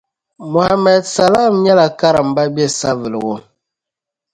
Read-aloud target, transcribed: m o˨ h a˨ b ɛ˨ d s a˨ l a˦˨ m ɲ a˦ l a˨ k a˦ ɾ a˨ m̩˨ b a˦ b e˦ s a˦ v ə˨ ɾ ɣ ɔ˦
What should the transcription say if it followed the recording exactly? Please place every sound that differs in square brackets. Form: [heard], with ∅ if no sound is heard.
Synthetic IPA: m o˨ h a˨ [m] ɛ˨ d s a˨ l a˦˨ m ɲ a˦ l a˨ k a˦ ɾ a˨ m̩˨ b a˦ b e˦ s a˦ v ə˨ [l] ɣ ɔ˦